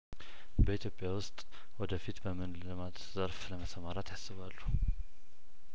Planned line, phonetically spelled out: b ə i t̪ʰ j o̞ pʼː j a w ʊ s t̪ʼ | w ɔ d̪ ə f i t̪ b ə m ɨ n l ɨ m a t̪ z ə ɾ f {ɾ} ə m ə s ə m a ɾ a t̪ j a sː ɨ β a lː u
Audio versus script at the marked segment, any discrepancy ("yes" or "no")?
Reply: yes